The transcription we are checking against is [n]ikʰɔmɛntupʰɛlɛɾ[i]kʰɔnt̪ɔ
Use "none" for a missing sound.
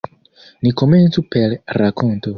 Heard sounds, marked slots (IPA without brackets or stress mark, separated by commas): n, a